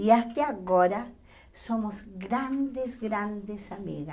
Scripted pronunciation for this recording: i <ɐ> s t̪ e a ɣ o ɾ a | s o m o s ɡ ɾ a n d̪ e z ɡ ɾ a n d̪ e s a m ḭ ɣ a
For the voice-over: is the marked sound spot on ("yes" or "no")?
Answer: no